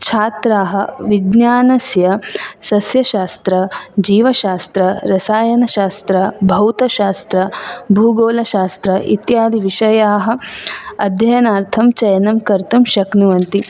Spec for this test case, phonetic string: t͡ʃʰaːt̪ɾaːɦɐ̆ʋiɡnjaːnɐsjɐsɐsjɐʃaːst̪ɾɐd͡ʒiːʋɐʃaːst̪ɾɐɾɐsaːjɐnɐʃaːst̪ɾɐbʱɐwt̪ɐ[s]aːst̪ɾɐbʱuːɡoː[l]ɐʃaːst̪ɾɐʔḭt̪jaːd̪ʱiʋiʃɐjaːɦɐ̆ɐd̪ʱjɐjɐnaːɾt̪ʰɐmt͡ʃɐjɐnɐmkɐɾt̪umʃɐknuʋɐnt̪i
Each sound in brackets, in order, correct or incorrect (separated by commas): incorrect, correct